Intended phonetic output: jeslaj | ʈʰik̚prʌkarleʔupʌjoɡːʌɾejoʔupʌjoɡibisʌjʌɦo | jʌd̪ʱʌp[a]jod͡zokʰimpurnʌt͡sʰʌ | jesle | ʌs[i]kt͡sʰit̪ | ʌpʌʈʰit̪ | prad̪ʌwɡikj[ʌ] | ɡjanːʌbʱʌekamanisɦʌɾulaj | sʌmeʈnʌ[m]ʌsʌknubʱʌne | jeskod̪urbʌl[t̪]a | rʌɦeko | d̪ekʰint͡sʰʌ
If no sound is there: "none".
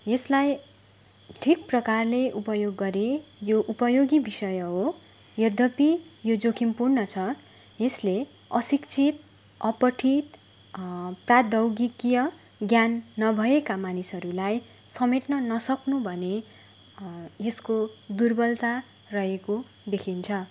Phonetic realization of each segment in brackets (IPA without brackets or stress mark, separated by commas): i, i, ʌ, n, t̪